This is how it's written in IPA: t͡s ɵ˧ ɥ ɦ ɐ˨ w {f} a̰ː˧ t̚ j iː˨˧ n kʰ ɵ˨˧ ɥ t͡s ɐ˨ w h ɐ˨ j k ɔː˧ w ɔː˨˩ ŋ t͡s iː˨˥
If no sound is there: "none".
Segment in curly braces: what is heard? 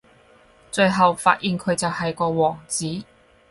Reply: f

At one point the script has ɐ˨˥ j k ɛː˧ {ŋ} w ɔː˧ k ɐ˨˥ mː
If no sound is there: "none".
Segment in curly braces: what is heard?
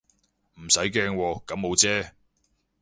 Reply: ŋ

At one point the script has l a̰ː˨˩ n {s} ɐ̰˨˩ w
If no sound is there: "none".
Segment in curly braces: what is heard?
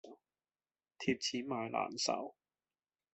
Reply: s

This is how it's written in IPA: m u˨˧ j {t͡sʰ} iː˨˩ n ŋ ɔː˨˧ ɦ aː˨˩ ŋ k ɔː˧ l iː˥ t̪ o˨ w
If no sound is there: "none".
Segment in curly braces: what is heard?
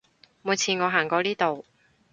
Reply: t͡sʰ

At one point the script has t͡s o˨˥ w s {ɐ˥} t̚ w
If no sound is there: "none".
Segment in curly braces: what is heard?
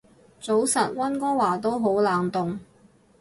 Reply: ɐ˨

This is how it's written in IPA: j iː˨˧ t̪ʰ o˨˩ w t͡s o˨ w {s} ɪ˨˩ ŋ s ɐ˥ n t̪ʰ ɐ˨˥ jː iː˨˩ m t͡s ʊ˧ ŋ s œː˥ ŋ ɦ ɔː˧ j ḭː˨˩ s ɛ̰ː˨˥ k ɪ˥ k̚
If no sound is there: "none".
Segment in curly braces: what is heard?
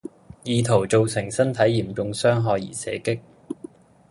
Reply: s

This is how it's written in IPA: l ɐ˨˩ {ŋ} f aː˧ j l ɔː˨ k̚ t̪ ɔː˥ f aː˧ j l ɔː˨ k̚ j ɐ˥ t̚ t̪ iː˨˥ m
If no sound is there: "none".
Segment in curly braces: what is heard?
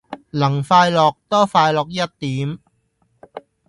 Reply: ŋ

